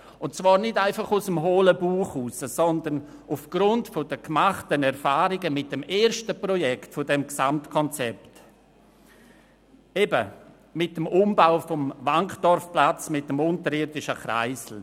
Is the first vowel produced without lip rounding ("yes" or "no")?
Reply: no